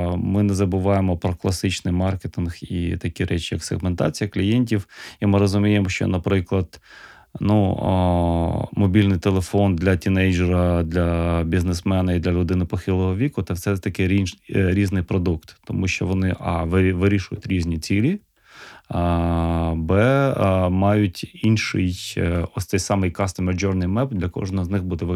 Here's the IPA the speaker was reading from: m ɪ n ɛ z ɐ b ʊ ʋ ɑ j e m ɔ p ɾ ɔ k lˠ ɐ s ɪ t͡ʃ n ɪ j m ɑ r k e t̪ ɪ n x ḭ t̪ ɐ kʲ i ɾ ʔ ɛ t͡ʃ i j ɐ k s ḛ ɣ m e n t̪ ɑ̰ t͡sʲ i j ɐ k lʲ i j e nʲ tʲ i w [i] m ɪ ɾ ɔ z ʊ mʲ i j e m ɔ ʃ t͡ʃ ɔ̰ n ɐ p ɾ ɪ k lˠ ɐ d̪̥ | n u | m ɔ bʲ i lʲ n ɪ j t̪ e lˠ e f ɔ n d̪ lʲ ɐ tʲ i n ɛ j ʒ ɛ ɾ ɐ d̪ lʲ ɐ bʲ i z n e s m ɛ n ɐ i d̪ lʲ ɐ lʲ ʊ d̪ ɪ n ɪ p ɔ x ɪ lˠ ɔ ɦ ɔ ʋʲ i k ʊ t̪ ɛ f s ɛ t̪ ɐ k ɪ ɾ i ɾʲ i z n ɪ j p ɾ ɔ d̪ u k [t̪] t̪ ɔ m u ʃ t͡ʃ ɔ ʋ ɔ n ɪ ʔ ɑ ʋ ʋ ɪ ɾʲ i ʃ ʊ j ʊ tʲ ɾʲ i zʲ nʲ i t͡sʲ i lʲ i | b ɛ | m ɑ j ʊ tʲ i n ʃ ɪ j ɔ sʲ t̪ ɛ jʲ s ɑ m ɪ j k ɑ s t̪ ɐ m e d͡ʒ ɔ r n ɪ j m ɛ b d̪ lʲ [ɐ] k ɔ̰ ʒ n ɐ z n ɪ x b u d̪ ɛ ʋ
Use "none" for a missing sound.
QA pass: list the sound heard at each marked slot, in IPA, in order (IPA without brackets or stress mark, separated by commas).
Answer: i, t̪, ɐ